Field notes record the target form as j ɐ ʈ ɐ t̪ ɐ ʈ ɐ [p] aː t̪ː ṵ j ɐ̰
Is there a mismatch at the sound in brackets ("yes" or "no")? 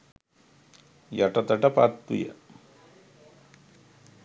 no